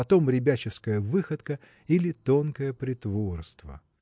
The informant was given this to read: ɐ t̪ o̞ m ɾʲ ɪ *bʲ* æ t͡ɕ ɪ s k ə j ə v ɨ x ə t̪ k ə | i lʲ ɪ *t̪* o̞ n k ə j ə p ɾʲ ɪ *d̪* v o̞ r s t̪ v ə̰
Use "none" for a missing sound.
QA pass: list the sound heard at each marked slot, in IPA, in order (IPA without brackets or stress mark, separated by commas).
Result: bʲ, t̪, t̪